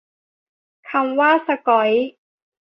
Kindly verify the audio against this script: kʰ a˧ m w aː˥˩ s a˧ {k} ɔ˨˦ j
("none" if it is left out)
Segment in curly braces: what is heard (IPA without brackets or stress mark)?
k